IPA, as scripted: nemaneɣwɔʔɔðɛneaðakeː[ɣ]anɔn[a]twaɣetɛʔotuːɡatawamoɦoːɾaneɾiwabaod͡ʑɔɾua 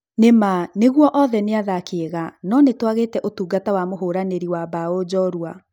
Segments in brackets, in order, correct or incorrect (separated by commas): correct, incorrect